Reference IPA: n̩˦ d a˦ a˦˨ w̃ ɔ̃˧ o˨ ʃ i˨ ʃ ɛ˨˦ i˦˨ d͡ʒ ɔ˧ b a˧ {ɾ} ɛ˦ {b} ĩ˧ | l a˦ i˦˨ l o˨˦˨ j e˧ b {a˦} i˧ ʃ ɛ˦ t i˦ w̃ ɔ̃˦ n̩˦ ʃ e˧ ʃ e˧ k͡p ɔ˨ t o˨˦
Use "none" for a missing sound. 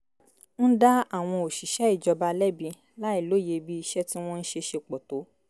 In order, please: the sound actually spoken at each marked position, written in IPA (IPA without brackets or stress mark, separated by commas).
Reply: l, b, i˦